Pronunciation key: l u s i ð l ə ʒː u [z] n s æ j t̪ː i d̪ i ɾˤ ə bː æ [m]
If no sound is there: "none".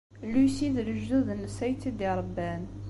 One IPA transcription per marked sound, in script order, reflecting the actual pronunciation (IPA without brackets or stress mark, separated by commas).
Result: ð, n